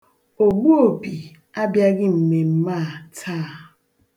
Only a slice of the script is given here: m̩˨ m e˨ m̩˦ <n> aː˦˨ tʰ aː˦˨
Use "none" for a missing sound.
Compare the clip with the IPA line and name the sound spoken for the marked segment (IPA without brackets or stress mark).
m